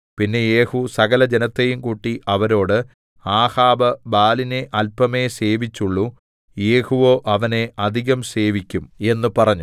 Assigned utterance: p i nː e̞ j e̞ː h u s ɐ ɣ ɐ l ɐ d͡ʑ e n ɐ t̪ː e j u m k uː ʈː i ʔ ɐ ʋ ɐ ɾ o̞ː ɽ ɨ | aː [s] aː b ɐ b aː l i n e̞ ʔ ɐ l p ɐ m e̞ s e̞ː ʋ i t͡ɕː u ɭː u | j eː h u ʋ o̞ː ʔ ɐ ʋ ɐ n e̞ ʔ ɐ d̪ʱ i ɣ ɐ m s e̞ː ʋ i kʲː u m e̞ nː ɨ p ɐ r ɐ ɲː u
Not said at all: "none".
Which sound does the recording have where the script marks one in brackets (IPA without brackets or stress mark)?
h